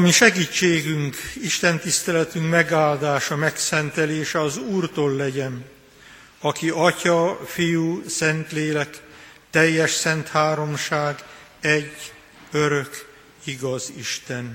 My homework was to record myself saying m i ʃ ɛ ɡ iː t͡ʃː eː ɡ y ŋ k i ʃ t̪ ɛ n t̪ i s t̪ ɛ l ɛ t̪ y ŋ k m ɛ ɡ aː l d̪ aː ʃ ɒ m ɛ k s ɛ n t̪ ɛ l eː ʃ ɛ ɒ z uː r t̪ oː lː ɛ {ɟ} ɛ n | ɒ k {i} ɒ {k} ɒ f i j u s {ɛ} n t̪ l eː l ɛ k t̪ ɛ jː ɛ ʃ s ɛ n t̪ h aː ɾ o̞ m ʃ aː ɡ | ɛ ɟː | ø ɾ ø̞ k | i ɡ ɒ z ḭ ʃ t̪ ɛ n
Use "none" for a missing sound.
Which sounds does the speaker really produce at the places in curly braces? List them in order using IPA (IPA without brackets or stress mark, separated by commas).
ɟ, i, c, ɛ